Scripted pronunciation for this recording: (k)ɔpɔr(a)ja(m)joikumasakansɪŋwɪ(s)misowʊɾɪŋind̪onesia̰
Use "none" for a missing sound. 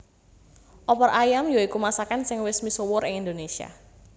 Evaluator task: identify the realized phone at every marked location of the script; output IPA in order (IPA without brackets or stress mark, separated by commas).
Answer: ʔ, a, m, s